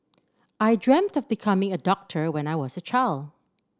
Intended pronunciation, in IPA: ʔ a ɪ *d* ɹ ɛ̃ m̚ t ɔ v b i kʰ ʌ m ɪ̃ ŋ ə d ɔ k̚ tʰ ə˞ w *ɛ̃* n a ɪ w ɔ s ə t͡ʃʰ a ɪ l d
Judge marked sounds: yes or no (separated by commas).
yes, yes